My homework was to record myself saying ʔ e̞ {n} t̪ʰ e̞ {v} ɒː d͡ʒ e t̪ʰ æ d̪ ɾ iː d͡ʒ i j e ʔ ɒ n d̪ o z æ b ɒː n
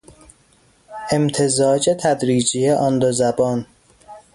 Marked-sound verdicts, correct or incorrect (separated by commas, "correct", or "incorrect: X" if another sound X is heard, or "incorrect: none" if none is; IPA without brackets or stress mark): incorrect: m, incorrect: z